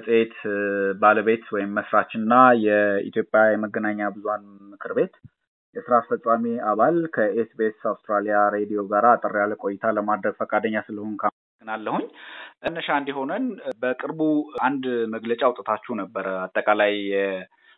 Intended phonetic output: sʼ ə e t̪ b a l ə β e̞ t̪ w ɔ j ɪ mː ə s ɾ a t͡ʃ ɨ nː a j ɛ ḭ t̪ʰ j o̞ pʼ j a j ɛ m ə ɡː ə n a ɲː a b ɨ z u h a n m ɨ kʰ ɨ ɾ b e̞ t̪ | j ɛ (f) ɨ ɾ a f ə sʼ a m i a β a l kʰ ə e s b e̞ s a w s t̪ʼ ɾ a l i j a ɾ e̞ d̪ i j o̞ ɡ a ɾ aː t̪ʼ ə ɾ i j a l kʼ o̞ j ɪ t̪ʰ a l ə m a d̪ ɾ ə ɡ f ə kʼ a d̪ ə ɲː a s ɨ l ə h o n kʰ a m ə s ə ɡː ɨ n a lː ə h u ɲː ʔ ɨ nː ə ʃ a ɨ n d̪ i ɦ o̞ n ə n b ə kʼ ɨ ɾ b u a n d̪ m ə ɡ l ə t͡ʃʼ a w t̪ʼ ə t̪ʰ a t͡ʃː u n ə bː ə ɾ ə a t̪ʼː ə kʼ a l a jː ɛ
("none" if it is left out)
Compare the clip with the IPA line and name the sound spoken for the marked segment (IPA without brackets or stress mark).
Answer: s